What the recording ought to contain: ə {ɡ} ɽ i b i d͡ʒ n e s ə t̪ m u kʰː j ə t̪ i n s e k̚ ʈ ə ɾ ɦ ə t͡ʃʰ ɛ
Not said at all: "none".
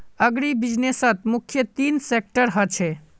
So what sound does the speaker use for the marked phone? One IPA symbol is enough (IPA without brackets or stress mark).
ɡ